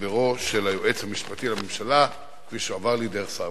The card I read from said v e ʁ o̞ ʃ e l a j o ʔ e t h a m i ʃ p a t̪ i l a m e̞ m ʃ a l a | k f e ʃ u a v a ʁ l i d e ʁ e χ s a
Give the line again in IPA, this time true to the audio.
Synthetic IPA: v e ʁ o̞ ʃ e l a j o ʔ e t͡s h a m i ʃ p a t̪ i l a m e̞ m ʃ a l a | k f i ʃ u a v a ʁ l i d e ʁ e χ s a